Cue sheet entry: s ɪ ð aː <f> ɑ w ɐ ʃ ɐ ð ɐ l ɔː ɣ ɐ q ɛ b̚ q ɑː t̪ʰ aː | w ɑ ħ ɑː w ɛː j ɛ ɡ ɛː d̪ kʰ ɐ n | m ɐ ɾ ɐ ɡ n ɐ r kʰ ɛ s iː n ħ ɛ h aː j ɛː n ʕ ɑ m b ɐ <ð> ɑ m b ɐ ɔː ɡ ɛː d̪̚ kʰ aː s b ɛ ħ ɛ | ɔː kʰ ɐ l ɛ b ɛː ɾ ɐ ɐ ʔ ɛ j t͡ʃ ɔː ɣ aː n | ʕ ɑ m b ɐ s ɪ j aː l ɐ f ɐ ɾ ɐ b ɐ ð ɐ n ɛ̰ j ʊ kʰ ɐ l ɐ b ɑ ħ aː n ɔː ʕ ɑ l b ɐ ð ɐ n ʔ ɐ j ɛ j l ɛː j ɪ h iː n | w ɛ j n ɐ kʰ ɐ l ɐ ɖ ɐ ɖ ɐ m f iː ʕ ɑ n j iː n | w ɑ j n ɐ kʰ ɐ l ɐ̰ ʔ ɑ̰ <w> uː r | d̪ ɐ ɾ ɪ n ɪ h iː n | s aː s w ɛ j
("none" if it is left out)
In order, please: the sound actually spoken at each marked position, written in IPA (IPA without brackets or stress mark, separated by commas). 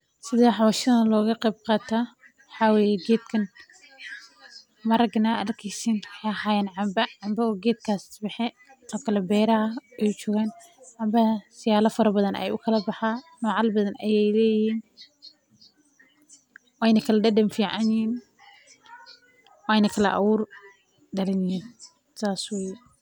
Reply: ħ, ʕ, w